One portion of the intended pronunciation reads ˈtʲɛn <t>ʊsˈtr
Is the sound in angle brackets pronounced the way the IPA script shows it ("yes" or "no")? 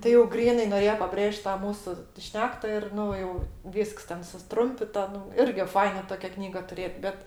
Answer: no